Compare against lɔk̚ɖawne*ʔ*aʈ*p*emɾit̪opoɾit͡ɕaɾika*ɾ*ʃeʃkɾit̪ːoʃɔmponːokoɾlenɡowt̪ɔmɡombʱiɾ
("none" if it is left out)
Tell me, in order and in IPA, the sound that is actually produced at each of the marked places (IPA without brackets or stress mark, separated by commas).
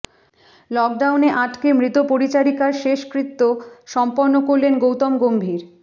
ʔ, k, ɾ